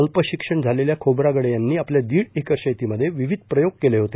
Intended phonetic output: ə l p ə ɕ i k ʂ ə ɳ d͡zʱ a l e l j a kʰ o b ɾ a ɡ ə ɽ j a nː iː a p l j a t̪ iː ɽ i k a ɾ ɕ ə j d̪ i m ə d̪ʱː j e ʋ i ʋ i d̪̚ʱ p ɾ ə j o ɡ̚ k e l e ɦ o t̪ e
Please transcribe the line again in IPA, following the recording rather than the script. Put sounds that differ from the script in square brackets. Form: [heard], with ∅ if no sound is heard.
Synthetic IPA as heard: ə l p ə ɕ i k ʂ ə ɳ d͡zʱ a l e l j a kʰ o b ɾ a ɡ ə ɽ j a nː iː a p l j a [d̪] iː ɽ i k [ə] ɾ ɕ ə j [t̪] i m ə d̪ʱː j e ʋ i ʋ i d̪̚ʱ p ɾ ə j o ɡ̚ k e l e ɦ o t̪ e